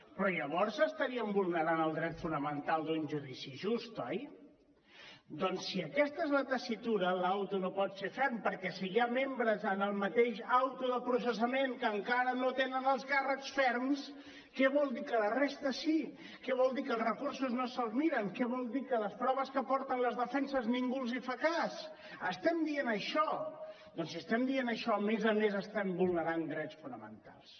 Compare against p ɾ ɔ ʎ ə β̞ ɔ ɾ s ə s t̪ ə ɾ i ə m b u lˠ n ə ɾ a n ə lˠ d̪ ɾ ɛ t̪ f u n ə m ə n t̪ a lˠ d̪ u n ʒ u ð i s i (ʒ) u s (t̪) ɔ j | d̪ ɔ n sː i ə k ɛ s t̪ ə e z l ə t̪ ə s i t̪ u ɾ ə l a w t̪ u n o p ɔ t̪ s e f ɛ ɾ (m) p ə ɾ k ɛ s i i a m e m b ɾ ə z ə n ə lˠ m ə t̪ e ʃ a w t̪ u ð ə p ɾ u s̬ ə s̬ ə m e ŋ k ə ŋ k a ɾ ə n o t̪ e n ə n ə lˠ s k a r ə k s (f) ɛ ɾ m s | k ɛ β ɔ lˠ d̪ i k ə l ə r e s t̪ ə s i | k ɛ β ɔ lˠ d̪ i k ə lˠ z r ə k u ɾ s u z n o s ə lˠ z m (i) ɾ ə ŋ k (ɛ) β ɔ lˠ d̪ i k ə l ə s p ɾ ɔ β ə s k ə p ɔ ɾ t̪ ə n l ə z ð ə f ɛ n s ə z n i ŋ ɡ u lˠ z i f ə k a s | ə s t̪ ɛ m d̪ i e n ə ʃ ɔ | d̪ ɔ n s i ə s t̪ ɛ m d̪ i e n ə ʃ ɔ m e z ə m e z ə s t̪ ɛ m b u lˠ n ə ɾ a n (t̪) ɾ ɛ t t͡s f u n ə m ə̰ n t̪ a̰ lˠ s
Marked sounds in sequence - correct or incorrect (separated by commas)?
correct, correct, correct, correct, correct, correct, incorrect